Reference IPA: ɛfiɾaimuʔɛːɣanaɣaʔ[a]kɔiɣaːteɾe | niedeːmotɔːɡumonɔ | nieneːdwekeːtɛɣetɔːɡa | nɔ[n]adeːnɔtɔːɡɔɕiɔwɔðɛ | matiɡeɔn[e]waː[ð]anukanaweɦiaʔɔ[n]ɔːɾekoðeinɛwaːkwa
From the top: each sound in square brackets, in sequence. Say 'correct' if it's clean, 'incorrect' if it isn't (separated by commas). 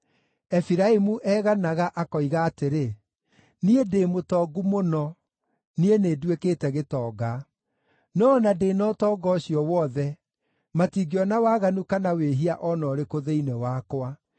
correct, correct, incorrect, incorrect, correct